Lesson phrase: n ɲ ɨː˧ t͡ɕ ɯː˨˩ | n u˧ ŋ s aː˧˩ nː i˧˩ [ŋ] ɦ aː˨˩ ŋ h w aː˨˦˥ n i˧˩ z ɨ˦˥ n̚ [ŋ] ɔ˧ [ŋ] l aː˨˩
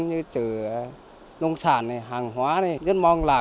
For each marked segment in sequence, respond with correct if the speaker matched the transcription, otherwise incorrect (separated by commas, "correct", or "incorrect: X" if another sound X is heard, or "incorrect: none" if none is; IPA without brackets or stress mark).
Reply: incorrect: none, incorrect: m, correct